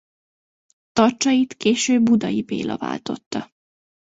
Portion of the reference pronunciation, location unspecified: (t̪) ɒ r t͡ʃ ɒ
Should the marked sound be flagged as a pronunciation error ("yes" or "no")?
no